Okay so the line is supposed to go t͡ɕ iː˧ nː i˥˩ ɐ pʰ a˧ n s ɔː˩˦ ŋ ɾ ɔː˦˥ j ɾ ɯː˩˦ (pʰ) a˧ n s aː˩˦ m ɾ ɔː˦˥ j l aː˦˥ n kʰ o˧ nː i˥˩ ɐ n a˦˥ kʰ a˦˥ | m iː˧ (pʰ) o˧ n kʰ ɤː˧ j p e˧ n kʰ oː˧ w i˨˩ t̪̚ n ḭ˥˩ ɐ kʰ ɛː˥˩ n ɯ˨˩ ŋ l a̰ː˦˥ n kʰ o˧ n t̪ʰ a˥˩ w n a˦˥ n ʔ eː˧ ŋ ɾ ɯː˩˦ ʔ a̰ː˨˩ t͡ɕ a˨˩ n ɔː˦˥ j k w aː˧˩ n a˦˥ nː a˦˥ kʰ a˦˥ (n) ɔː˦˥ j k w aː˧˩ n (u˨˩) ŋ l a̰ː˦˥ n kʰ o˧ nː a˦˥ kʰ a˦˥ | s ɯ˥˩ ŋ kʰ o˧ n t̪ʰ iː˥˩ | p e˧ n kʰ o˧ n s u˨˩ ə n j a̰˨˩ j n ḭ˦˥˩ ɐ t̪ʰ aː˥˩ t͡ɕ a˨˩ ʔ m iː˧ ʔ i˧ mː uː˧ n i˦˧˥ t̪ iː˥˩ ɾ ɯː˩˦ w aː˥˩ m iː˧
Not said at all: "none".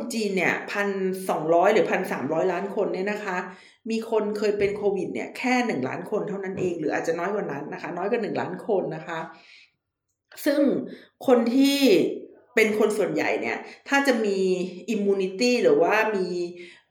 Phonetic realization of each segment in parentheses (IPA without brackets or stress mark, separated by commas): pʰ, kʰ, n, ɯ˨˩